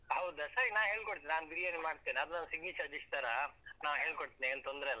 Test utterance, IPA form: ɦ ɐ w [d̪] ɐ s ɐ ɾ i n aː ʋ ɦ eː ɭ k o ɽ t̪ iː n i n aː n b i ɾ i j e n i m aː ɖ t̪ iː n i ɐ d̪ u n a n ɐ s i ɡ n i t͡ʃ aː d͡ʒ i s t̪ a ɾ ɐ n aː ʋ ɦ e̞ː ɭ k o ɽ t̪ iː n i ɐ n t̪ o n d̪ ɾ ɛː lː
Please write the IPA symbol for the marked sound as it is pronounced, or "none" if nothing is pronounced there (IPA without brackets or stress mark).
d̪